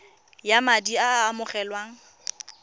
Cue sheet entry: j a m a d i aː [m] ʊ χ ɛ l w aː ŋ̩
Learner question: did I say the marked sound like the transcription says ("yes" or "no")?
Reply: yes